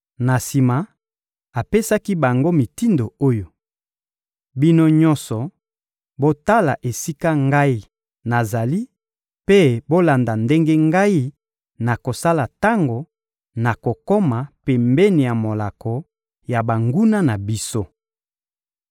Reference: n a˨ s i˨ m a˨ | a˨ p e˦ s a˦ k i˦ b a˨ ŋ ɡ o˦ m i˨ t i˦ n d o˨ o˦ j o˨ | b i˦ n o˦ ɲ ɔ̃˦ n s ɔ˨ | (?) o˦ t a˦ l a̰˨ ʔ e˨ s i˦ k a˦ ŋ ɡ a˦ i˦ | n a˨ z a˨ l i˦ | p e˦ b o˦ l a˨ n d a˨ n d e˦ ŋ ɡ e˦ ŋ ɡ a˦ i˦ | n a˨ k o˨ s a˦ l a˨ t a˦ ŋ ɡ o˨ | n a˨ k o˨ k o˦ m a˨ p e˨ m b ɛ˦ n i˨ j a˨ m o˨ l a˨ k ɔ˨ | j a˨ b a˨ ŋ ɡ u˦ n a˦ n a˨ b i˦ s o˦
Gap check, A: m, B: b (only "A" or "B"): B